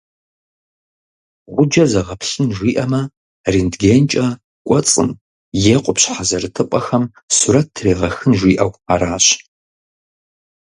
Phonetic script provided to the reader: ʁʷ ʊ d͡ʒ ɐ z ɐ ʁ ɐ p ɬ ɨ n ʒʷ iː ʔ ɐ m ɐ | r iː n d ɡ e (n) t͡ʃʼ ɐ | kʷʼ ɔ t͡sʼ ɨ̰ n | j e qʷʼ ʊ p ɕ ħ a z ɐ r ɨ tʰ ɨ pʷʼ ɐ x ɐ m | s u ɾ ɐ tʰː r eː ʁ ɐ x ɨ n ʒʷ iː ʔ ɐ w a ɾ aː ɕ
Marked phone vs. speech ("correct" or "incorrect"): correct